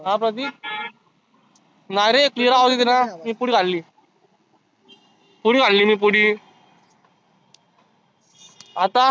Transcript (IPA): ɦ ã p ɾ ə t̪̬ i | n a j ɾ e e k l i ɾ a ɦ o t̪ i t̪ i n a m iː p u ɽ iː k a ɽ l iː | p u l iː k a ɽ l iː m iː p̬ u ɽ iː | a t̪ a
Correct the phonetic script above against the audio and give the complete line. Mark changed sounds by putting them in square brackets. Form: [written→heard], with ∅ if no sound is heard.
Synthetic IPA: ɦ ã p ɾ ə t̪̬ i | n a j ɾ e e k l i ɾ a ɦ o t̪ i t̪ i n a m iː p u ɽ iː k a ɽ l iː | p u [l→ɽ] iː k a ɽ l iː m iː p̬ u ɽ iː | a t̪ a